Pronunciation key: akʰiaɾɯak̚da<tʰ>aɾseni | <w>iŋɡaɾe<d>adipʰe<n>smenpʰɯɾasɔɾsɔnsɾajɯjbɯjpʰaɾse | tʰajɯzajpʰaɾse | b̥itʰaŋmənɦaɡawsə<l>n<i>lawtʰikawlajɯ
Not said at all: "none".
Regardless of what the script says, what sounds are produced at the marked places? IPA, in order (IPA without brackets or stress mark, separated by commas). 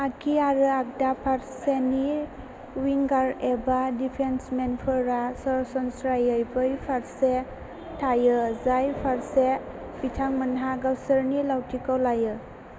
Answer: pʰ, w, b, n, ɾ, i